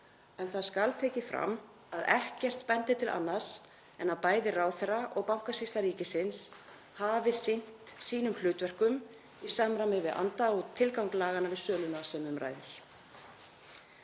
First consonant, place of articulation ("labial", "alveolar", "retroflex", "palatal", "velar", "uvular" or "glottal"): alveolar